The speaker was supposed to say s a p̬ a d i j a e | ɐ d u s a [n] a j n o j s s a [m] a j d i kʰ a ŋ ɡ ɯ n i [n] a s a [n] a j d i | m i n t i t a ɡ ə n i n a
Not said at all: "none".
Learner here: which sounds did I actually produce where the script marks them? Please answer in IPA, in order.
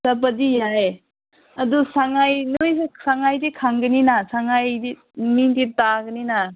ŋ, ŋ, n, ŋ

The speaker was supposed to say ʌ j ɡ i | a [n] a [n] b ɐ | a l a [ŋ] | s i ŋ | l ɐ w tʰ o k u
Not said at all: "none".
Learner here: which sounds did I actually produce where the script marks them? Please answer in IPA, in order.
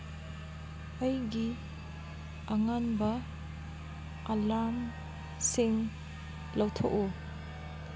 ŋ, n, m

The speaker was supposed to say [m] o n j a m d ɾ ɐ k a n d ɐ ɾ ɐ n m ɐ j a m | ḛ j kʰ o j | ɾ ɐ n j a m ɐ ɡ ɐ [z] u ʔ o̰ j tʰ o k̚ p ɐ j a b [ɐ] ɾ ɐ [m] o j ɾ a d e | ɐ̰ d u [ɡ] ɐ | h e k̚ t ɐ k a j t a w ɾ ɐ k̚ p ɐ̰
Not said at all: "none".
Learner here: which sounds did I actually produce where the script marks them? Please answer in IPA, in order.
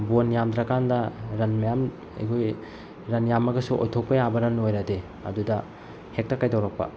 b, s, ɐ, n, d

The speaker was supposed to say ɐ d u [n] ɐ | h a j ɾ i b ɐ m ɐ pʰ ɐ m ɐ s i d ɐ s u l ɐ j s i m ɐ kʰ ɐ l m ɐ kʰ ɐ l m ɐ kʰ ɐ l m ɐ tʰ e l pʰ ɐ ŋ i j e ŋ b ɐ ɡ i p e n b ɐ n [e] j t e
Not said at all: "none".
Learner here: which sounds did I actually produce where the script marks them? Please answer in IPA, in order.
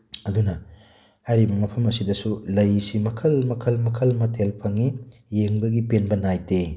n, a

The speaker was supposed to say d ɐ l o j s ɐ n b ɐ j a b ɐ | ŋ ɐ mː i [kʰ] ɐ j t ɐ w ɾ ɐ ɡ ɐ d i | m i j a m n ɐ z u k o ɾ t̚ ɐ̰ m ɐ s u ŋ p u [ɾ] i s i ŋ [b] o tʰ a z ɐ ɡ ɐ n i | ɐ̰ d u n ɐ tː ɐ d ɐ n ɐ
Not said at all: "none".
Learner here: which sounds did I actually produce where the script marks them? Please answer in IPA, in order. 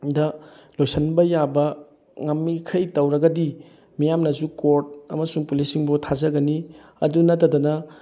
kʰ, l, b

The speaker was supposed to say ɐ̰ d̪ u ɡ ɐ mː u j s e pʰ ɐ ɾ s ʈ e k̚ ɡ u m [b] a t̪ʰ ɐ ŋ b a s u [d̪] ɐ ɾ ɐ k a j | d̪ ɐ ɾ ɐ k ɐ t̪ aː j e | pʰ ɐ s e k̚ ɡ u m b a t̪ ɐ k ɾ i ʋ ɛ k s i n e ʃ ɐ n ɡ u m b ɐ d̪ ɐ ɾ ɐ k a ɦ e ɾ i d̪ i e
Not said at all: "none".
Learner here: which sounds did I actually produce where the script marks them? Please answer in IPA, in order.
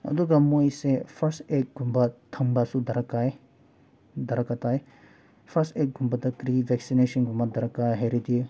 b, d̪

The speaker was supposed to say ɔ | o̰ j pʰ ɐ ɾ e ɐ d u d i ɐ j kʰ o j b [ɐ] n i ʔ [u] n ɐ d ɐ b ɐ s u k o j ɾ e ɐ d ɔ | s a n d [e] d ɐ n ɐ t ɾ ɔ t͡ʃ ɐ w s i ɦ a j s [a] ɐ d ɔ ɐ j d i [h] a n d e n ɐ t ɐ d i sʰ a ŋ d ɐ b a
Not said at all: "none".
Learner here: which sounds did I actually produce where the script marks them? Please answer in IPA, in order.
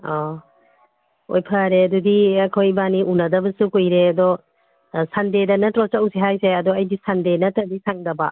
a, u, e, e, s

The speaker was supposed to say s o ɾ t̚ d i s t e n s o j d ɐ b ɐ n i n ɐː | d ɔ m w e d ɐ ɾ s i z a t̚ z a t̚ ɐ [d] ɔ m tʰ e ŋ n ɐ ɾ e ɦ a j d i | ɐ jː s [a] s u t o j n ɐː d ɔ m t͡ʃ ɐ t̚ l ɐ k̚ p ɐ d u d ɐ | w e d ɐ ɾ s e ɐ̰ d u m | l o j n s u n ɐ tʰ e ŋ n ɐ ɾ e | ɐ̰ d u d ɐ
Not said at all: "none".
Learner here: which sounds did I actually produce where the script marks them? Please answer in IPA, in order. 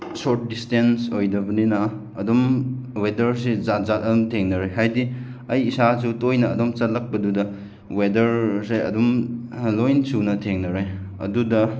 d, a

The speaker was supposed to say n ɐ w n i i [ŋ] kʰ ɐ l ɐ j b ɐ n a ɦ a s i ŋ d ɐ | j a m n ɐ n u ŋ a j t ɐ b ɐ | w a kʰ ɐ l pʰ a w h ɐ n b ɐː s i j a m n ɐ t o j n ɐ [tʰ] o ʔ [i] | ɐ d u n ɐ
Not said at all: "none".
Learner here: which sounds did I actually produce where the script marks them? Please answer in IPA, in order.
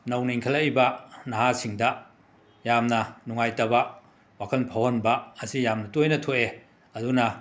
ŋ, tʰ, e

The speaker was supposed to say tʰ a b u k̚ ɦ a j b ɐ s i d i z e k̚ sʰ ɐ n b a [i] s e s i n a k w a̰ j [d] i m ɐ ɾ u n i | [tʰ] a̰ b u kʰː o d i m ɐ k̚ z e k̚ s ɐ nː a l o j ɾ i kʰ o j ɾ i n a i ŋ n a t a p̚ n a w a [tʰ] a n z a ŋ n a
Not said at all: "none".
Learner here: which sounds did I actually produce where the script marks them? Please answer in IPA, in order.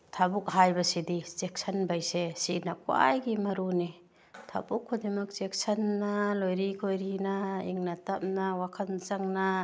j, ɡ, tʰ, kʰ

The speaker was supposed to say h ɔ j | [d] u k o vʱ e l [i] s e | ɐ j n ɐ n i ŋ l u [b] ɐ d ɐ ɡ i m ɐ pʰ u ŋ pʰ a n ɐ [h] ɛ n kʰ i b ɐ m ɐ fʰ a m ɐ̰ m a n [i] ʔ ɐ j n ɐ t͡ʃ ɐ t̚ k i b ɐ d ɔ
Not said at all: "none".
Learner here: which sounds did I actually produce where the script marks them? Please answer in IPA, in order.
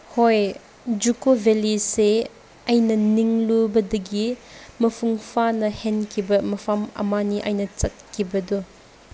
d͡ʒ, i, b, h, i

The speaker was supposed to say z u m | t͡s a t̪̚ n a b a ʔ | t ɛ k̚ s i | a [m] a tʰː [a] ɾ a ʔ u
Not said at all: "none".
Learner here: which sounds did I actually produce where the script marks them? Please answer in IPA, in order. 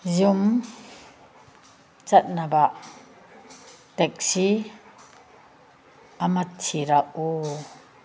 m, i

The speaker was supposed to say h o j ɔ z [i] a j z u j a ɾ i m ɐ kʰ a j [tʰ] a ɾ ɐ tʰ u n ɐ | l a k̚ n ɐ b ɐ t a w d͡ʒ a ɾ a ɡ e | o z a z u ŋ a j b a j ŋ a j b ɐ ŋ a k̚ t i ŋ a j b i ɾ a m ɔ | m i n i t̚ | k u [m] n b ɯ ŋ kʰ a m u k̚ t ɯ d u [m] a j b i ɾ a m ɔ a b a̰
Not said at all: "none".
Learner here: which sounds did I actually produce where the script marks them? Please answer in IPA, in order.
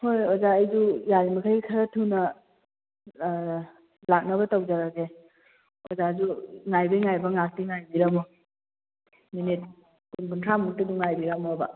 a, kʰ, none, ŋ

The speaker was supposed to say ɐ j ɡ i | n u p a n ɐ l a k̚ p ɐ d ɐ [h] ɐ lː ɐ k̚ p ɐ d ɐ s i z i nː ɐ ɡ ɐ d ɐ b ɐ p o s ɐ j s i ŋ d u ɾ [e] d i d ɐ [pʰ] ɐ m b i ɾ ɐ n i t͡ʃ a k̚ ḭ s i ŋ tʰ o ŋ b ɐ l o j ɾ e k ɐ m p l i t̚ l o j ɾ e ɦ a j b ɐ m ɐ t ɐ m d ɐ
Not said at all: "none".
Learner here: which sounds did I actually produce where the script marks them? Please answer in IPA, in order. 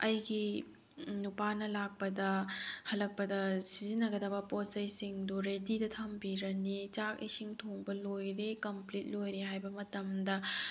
h, e, tʰ

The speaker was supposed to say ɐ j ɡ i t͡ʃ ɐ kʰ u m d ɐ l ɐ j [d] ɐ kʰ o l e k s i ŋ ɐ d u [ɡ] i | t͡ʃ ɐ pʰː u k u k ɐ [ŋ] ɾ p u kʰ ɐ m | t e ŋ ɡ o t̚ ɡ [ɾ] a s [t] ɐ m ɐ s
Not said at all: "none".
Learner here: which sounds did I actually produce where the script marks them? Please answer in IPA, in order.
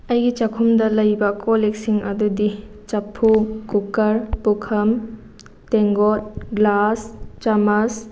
b, d, none, l, t͡ʃ

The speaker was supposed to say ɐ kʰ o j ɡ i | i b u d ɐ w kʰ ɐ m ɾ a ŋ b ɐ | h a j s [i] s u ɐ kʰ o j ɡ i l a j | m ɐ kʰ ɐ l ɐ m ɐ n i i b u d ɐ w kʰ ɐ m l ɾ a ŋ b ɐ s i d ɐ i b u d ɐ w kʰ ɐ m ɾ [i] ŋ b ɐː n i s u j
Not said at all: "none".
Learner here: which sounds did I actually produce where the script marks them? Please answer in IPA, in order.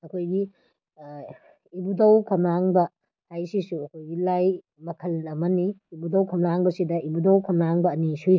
i, a

